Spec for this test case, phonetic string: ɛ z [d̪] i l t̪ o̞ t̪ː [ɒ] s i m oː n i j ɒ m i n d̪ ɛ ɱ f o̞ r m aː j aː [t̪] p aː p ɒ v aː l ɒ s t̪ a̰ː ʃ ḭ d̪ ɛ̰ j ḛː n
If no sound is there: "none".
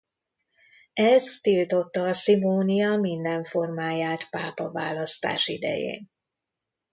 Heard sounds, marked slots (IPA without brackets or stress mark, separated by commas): t̪, ɒː, t̪